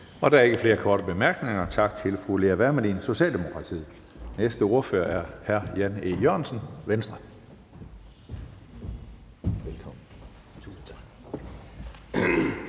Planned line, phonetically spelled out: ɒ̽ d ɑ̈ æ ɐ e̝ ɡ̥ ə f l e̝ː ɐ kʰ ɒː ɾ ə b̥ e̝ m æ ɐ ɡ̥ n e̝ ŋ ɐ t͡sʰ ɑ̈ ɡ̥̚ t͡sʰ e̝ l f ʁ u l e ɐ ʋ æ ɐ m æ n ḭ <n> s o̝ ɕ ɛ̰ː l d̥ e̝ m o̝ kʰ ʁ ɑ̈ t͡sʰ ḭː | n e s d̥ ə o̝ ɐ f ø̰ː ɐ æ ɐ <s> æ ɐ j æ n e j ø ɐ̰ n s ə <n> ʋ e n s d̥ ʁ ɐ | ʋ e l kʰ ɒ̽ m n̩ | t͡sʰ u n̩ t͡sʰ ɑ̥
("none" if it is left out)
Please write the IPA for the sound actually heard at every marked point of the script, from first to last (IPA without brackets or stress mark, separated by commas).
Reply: n, h, n